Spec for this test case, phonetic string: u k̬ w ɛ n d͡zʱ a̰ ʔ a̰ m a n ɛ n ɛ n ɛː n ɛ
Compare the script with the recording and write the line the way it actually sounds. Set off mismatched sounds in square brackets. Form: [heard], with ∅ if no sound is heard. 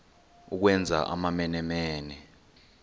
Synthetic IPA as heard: u k̬ w ɛ n d͡zʱ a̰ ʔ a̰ m a [m] ɛ n ɛ [m] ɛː n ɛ